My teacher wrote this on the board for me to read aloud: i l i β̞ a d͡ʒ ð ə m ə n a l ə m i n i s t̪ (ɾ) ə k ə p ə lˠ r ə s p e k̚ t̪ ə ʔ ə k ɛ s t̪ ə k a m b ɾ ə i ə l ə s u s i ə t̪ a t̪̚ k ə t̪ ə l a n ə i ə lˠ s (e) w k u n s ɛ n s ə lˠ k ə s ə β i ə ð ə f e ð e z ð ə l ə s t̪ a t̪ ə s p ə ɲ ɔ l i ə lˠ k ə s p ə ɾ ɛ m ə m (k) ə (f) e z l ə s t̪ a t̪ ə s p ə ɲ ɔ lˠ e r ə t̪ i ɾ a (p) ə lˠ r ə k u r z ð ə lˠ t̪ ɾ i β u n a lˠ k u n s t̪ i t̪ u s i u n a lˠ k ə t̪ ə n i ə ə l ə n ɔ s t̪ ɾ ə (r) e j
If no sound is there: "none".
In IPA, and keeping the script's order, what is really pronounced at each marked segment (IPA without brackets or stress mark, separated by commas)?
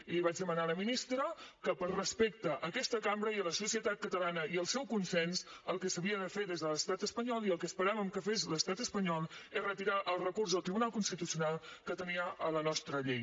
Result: ɾ, ɛ, k, f, ʔ, ʎ